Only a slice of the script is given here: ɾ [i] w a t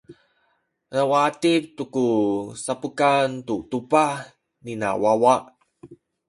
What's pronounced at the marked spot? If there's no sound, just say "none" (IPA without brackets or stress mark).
a